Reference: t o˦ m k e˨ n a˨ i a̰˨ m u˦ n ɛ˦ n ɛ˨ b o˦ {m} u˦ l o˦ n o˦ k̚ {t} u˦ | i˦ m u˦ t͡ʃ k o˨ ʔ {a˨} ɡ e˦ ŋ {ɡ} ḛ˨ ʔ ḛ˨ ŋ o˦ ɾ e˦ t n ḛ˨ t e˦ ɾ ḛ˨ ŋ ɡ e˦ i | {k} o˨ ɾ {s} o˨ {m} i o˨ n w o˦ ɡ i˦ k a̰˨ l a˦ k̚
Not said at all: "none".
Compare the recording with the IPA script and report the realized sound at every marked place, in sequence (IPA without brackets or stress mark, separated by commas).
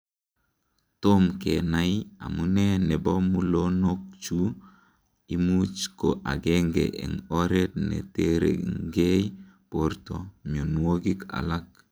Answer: m, t͡ʃ, a˨, ɡ, p, t, m